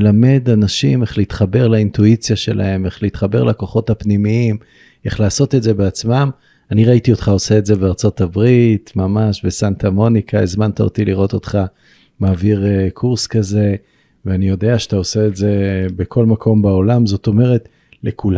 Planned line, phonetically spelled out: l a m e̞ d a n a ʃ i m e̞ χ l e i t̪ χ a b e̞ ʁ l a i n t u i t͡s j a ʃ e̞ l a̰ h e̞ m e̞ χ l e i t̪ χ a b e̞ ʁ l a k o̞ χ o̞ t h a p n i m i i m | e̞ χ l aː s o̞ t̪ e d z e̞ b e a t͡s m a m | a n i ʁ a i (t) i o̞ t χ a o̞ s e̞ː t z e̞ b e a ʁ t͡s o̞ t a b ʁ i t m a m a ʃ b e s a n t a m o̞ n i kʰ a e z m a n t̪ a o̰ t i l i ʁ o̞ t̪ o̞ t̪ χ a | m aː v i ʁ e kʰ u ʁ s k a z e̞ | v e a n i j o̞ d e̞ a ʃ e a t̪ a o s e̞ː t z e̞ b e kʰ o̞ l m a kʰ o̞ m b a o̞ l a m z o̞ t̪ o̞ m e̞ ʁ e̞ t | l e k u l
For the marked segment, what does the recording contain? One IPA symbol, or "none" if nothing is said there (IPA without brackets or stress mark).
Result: t